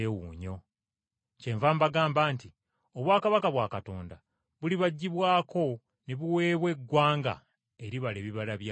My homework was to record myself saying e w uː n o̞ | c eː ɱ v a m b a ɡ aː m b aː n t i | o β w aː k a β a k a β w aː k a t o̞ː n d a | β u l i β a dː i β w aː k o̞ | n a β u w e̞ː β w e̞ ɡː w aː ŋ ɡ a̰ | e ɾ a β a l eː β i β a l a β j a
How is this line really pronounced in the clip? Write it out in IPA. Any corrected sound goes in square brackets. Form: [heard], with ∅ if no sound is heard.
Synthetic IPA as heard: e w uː [ɲ] o̞ | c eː ɱ v a m b a ɡ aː m b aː n t i | o β w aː k a β a k a β w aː k a t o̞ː n d a | β u l i β a [ɟː] i β w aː k o̞ | n [e] β u w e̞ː β w e̞ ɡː w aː ŋ ɡ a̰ | e ɾ [i] β a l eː β i β a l a β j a